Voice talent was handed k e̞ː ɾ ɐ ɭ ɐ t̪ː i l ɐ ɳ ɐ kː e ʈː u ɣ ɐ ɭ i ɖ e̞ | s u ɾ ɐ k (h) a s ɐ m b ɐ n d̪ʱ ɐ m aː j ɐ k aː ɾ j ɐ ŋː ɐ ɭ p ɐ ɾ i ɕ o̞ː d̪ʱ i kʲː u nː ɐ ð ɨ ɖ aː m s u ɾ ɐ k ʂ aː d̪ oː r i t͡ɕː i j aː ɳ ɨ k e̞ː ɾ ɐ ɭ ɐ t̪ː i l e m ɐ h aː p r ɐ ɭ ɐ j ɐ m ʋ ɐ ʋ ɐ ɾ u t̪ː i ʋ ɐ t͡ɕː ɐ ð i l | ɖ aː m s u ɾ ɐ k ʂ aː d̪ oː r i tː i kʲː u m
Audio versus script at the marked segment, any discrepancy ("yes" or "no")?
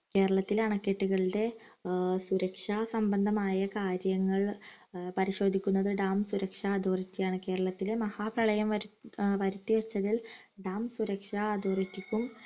yes